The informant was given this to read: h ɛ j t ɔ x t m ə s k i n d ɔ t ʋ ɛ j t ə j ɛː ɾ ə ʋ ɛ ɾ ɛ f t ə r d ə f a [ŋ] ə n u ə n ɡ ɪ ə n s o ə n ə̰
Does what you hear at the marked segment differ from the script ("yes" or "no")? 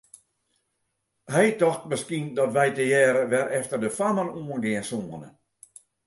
yes